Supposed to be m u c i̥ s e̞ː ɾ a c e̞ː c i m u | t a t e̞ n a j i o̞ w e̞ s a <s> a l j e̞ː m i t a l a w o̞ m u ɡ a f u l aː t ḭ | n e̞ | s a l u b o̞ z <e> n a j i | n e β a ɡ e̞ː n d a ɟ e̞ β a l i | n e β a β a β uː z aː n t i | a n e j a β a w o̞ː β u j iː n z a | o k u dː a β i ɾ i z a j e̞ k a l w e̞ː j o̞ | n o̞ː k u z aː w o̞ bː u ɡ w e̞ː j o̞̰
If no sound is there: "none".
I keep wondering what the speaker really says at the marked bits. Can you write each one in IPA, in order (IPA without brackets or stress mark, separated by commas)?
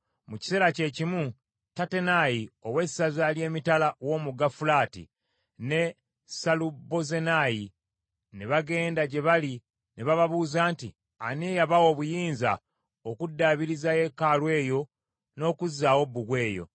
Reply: z, e